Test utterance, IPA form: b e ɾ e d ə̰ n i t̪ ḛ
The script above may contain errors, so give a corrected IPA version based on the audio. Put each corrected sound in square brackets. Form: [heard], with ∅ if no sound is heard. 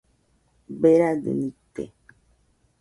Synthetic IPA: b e ɾ [a] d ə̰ n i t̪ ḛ